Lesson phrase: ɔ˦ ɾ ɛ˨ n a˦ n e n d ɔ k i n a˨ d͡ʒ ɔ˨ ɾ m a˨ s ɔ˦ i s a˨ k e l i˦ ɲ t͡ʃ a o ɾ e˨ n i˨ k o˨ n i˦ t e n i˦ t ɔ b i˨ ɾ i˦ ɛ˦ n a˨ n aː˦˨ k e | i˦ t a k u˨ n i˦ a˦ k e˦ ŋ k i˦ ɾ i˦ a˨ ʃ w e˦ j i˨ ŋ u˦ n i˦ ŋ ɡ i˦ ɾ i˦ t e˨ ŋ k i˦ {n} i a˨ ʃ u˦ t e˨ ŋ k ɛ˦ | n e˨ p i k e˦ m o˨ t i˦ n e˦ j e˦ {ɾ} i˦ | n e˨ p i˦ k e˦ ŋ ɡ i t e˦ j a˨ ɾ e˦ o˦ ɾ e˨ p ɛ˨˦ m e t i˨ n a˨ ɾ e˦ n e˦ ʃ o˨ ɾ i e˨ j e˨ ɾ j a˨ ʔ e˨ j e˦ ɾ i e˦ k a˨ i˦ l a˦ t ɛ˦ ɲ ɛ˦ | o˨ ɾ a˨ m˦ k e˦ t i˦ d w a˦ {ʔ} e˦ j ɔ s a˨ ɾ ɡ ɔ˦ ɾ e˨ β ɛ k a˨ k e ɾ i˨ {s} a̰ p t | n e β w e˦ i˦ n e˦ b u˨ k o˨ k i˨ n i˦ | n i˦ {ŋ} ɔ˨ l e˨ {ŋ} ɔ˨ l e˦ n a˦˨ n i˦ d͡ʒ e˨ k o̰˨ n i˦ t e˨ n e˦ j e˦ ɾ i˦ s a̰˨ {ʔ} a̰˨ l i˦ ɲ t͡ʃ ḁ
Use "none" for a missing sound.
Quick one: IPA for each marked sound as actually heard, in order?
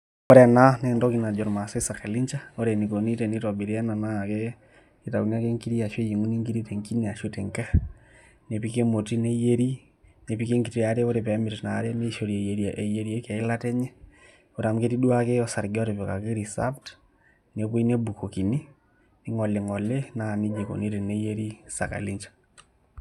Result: n, ɾ, k, s, ŋ, ŋ, k

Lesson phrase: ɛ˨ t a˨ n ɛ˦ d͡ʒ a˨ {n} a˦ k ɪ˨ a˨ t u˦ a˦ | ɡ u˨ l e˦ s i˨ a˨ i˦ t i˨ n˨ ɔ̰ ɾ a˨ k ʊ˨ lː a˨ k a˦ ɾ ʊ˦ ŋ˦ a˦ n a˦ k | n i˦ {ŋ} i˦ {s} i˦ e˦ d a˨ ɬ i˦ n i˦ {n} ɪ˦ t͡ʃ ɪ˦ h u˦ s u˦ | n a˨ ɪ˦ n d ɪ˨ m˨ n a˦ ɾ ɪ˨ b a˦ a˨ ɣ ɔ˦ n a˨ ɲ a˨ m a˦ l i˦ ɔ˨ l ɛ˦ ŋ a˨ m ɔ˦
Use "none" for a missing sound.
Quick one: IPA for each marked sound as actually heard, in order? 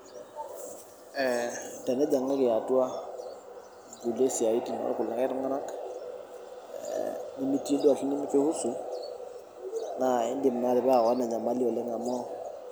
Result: ŋ, m, t, m

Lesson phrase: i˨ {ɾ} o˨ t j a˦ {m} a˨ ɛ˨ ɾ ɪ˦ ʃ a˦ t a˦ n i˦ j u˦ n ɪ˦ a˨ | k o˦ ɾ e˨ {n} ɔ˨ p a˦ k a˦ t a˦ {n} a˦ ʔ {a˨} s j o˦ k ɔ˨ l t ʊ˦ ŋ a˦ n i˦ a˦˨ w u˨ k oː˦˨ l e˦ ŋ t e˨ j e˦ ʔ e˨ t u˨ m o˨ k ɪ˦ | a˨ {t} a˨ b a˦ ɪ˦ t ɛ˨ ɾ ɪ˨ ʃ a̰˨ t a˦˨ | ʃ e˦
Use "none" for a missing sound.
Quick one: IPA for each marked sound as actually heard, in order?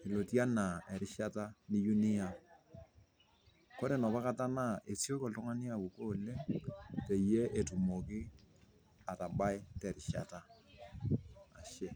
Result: l, n, n, n, e˨, t

